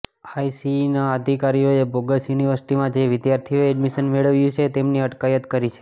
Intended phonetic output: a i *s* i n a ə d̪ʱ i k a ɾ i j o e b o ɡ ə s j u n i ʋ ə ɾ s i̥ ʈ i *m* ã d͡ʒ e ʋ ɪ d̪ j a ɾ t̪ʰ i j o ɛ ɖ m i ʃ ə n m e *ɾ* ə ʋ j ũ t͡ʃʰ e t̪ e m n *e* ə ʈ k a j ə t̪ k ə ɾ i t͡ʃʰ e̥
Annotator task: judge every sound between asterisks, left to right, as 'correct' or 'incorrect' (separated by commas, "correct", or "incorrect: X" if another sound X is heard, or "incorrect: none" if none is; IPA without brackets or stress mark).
correct, correct, incorrect: ɭ, incorrect: i